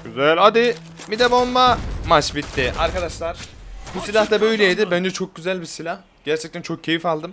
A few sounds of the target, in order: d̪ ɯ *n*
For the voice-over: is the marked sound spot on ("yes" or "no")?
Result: no